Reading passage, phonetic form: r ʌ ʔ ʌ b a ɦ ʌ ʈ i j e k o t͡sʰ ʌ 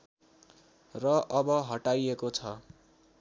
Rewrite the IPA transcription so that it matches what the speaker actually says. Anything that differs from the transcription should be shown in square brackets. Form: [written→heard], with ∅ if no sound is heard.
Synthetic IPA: r ʌ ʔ ʌ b [a→ʌ] ɦ ʌ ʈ [i→a] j e k o t͡sʰ ʌ